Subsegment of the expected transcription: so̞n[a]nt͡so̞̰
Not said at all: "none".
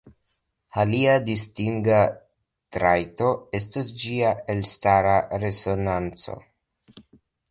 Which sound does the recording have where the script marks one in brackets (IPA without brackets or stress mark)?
a